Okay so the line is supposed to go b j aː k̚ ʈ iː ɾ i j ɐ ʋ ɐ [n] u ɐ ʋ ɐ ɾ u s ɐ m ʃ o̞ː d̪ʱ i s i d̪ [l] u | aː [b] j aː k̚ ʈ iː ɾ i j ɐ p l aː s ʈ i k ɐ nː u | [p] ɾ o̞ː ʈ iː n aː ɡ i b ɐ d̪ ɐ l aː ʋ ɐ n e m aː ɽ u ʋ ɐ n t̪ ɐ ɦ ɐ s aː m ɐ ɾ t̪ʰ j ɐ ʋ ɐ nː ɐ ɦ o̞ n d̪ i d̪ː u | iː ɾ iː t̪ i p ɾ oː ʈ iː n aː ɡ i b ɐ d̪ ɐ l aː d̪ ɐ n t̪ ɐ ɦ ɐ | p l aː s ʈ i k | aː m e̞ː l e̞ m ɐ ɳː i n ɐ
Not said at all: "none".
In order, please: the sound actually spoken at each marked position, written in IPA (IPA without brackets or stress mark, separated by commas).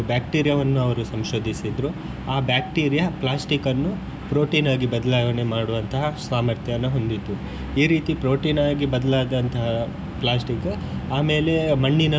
nː, ɾ, b, p